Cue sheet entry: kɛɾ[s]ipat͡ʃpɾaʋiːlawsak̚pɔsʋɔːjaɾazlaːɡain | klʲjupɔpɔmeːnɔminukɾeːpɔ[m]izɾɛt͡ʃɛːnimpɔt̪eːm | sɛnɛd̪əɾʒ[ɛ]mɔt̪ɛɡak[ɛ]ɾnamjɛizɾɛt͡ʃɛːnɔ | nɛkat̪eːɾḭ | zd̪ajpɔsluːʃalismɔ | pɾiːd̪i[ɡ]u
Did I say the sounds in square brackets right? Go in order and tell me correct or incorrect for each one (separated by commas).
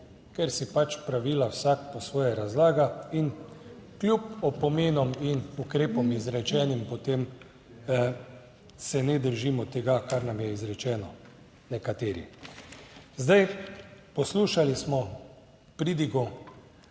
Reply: correct, correct, incorrect, incorrect, correct